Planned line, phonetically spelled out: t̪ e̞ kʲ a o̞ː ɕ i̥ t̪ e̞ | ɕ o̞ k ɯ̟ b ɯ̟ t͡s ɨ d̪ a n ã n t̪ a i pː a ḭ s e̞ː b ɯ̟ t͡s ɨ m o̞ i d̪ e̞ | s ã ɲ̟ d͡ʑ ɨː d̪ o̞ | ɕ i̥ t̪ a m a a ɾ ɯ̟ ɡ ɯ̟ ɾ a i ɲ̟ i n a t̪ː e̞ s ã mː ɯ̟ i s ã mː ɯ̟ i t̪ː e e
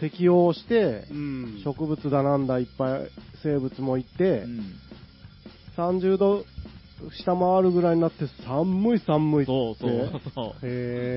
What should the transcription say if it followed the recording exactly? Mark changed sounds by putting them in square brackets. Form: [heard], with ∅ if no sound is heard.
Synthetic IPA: t̪ e̞ kʲ [i] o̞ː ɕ i̥ t̪ e̞ | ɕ o̞ k ɯ̟ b ɯ̟ t͡s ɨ d̪ a n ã n [d̪] a i pː a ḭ s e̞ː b ɯ̟ t͡s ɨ m o̞ i [t̪] e̞ | s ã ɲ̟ d͡ʑ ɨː d̪ o̞ | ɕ i̥ t̪ a m a a ɾ ɯ̟ ɡ ɯ̟ ɾ a i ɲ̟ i n a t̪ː e̞ s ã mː ɯ̟ i s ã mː ɯ̟ i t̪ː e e